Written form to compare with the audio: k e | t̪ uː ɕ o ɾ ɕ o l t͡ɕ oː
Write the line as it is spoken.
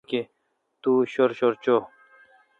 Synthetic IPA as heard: k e | t̪ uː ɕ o ɾ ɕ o ɾ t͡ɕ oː